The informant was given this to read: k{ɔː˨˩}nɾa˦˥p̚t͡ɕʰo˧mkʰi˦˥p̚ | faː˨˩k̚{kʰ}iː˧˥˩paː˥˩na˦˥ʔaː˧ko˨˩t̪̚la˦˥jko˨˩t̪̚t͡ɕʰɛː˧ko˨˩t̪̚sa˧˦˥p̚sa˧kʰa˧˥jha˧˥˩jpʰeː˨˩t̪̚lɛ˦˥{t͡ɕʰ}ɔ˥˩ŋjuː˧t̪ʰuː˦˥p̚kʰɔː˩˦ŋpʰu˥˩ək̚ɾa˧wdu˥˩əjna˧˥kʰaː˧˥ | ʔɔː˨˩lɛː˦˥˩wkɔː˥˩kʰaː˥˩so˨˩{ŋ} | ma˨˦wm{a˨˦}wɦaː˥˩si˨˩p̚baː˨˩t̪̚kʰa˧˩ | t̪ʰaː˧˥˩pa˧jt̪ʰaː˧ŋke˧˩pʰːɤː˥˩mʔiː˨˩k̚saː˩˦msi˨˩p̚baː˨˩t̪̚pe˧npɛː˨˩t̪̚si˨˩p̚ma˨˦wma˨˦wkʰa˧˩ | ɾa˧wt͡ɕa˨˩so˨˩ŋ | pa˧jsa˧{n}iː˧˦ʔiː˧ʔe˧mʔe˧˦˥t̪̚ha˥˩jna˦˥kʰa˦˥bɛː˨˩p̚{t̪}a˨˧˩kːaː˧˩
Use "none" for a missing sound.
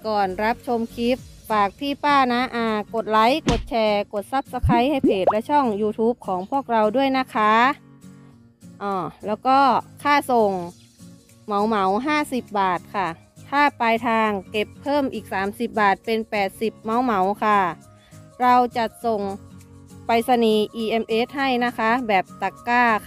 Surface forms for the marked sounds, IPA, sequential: ɔː˨˩, pʰ, t͡ɕʰ, ŋ, a˨˦, n, t̪

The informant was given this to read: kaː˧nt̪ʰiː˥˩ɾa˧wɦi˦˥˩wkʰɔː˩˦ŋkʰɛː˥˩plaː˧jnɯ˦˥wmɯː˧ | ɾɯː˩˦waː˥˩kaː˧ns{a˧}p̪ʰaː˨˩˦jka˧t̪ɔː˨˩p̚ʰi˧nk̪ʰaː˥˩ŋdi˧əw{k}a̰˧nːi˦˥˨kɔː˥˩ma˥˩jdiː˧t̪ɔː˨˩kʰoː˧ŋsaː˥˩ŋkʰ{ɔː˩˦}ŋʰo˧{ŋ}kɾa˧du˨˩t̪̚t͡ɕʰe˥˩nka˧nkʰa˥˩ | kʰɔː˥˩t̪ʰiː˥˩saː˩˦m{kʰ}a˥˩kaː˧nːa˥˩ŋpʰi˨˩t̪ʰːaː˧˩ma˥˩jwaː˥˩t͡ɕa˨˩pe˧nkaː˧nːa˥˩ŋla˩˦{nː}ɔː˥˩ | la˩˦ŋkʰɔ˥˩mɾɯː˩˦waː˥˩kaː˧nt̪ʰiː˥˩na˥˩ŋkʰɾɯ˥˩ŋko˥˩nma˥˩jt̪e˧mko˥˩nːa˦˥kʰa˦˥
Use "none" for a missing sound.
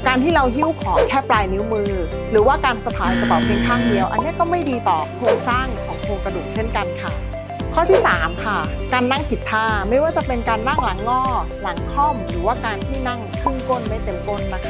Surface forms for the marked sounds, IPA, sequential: a˧, ʔ, ɔː˩˦, ŋ, kʰ, ŋː

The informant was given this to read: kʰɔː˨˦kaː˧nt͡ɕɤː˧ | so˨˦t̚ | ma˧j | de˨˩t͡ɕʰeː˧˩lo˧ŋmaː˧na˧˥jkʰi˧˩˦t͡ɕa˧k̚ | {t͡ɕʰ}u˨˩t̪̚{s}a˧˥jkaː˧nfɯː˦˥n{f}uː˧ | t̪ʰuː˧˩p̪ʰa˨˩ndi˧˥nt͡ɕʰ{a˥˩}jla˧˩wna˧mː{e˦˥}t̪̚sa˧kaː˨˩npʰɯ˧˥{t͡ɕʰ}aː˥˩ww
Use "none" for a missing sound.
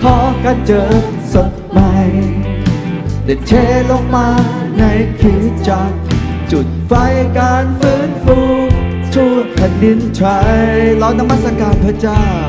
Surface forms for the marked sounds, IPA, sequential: t͡ɕ, f, f, a˧˦, a˦˥, t͡ɕ

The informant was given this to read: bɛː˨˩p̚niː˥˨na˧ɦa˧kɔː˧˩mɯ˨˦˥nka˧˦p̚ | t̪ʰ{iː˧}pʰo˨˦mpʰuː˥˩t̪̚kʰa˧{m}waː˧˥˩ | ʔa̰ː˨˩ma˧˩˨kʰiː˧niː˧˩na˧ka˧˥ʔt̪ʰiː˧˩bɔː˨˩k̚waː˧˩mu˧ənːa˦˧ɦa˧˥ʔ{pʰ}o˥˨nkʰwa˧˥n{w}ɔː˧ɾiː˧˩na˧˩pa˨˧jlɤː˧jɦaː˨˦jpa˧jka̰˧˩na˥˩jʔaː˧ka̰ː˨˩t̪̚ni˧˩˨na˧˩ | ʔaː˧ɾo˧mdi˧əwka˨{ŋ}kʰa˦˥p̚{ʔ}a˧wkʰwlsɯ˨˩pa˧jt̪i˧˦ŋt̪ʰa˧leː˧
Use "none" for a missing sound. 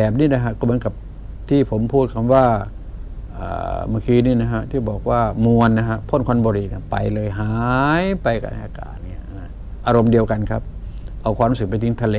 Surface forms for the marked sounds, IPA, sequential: iː˧˩, m, pʰ, b, n, ʔ

